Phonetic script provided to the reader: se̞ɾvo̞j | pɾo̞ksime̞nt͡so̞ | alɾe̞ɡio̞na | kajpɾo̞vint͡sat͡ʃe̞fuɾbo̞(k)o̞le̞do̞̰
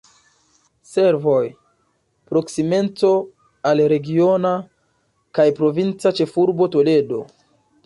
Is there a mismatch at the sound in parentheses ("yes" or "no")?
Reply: yes